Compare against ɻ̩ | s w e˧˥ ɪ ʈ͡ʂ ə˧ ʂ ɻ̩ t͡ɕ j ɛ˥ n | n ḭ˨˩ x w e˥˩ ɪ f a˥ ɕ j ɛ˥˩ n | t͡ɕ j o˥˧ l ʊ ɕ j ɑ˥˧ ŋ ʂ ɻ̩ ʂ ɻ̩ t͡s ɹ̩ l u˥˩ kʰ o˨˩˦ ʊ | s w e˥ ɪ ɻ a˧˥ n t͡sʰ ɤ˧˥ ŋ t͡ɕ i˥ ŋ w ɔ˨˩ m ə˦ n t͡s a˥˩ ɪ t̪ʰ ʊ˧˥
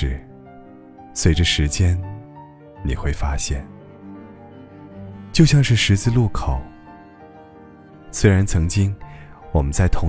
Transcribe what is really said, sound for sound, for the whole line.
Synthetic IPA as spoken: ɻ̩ | s w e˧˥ ɪ ʈ͡ʂ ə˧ ʂ ɻ̩ t͡ɕ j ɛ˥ n | n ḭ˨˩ x w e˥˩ ɪ f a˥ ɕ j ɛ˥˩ n | t͡ɕ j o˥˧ ʊ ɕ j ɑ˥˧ ŋ ʂ ɻ̩ ʂ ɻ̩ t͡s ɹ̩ l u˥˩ kʰ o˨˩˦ ʊ | s w e˥ ɪ ɻ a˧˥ n t͡sʰ ɤ˧˥ ŋ t͡ɕ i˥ ŋ w ɔ˨˩ m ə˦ n t͡s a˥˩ ɪ t̪ʰ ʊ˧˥